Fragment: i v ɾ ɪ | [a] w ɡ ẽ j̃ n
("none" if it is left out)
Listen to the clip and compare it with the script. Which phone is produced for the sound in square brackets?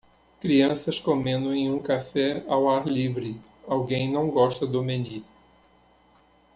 a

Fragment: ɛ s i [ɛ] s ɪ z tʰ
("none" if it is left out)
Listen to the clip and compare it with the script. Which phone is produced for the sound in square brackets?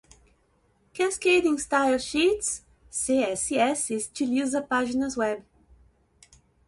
ɛ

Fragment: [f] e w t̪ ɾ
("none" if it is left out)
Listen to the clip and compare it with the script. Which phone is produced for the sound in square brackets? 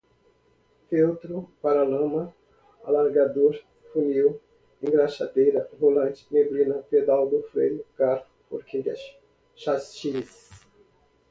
f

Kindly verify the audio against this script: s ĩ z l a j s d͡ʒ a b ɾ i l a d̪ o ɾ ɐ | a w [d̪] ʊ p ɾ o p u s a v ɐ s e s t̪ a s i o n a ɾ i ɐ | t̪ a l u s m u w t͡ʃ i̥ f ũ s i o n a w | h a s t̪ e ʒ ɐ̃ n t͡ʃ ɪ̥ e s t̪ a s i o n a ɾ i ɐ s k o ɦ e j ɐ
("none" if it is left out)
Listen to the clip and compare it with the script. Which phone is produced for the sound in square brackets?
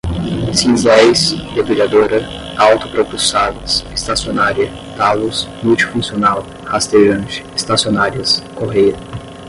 t̪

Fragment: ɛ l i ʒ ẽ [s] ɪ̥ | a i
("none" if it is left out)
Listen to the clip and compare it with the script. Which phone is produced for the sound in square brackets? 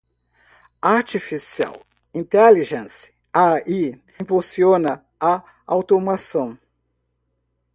s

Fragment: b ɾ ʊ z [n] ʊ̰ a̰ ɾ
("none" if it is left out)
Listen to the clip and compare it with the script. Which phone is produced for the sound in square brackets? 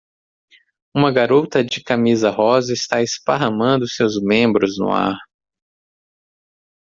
n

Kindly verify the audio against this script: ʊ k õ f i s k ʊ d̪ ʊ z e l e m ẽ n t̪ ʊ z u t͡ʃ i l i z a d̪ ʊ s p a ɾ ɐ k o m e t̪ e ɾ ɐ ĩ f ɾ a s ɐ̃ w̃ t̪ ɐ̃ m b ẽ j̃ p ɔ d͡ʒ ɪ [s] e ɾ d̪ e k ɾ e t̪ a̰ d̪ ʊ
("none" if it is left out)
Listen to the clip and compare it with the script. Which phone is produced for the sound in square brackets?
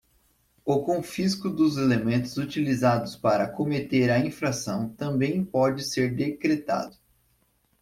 s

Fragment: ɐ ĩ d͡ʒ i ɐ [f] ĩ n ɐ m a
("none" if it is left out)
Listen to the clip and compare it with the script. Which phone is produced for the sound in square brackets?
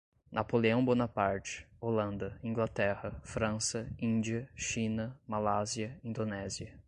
ʃ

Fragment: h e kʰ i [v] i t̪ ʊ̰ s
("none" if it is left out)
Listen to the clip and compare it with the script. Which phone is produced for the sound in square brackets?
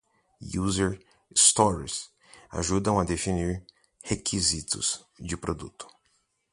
z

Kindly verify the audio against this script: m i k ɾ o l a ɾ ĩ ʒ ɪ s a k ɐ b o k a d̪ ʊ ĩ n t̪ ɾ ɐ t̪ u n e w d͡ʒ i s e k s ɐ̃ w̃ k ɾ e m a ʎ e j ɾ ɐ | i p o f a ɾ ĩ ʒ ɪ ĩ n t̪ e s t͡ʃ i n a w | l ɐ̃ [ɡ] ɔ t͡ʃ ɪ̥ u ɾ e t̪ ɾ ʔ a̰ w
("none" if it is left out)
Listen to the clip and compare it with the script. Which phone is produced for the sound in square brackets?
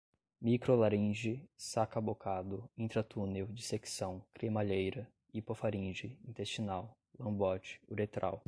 b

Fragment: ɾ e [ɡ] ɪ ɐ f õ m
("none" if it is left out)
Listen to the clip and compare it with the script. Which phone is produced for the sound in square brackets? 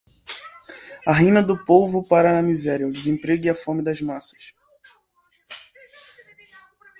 ɡ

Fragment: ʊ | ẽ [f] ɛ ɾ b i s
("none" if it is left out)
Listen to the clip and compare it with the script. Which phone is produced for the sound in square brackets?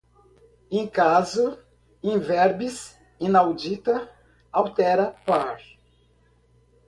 v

